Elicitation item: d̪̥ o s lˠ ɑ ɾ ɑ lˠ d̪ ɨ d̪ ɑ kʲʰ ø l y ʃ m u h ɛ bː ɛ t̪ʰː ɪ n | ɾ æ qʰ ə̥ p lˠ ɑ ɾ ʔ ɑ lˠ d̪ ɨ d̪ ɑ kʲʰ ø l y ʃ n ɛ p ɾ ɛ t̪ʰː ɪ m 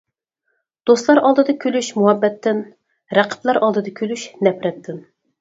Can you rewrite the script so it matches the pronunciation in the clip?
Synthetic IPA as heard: d̪̥ o s lˠ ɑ ɾ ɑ lˠ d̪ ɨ d̪ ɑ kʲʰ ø l y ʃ m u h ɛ bː ɛ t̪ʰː ɪ n | ɾ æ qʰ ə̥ p lˠ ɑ ɾ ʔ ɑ lˠ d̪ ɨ d̪ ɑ kʲʰ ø l y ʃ n ɛ p ɾ ɛ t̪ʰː ɪ n